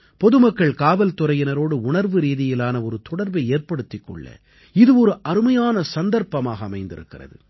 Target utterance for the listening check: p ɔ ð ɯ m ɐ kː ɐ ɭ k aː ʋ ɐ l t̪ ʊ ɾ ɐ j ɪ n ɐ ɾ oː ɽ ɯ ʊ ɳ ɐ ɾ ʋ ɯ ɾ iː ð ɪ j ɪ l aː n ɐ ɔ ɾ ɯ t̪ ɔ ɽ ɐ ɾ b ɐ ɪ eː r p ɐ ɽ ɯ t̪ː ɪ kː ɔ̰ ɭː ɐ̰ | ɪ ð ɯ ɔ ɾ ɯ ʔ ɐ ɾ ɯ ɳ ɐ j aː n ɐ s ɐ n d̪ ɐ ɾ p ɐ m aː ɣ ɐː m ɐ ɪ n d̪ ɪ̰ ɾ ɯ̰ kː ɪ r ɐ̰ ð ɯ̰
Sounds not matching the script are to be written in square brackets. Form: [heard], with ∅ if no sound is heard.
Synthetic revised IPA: p ɔ ð ɯ m ɐ kː ɐ ɭ k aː ʋ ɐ l t̪ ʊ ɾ ɐ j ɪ n ɐ ɾ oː ɽ ɯ ʊ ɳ ɐ ɾ ʋ ɯ ɾ iː ð ɪ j ɪ l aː n ɐ ɔ ɾ ɯ t̪ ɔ ɽ ɐ ɾ b ɐ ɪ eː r p ɐ ɽ ɯ t̪ː ɪ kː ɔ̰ ɭː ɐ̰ | ɪ ð ɯ ɔ ɾ ɯ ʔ ɐ ɾ ɯ [m] ɐ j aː n ɐ s ɐ n d̪ ɐ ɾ p ɐ m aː ɣ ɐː m ɐ ɪ n d̪ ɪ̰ ɾ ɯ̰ kː ɪ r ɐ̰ ð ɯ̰